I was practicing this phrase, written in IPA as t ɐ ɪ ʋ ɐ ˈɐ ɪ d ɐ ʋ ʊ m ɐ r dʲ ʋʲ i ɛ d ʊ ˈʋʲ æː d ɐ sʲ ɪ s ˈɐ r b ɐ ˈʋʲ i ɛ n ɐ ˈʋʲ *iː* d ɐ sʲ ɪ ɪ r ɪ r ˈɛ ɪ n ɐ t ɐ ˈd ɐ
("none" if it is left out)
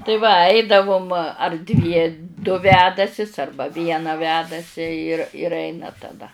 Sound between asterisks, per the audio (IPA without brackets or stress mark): æː